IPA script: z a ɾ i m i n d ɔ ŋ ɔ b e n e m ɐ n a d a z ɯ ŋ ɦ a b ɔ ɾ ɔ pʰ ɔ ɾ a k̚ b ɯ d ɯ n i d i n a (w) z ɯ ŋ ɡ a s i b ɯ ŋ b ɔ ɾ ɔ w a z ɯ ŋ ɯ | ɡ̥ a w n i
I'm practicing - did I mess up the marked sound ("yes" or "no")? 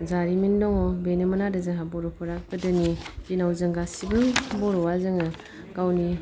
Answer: no